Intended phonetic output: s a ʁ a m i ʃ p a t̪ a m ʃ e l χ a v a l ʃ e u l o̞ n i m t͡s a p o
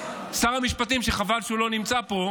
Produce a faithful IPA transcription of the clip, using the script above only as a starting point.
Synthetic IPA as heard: s a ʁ a m i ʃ p a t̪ i m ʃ e χ a v a l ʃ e u l o̞ n i m t͡s a p o